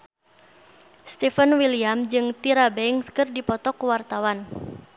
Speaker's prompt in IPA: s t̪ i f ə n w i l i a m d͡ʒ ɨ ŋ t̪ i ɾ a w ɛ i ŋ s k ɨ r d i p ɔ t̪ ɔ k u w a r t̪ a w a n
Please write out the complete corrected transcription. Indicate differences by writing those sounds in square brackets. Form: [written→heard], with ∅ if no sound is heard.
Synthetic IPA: s t̪ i f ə n w i l i a m d͡ʒ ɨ ŋ t̪ i ɾ a [w→b] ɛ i ŋ s k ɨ r d i p ɔ t̪ ɔ k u w a r t̪ a w a n